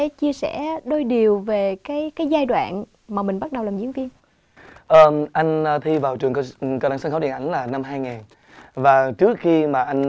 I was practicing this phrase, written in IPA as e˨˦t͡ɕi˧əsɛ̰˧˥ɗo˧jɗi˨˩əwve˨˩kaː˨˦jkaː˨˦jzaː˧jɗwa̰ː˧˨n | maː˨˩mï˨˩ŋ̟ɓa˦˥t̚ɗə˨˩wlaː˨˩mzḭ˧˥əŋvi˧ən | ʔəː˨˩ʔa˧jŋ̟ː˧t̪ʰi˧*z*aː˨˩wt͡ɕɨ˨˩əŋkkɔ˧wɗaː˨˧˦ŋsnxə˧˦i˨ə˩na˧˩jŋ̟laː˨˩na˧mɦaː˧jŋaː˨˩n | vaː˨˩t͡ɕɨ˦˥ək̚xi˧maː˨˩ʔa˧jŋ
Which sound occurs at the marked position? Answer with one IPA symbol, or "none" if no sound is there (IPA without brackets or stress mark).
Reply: v